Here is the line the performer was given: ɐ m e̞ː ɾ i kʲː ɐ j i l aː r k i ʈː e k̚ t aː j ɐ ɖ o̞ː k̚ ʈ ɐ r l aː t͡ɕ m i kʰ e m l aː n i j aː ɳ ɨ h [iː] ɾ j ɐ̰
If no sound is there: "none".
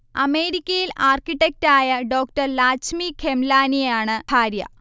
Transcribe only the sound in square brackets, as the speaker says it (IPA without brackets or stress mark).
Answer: aː